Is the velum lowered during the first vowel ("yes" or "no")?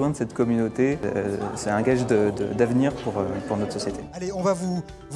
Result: yes